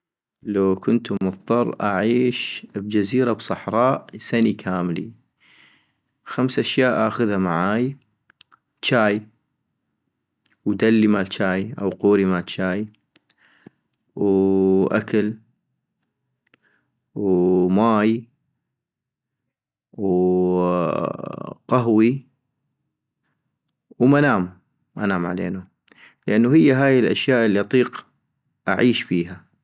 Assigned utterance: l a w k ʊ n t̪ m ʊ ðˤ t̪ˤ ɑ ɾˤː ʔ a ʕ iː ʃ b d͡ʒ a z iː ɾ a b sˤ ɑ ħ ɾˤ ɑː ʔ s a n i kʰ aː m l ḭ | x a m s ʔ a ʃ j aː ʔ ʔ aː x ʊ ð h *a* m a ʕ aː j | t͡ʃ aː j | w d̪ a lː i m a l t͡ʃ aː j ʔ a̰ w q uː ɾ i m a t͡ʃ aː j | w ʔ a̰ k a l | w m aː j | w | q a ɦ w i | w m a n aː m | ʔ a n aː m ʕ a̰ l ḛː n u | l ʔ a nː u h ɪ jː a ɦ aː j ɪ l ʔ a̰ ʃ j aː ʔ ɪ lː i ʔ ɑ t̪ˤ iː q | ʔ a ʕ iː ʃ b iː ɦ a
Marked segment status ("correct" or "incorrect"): correct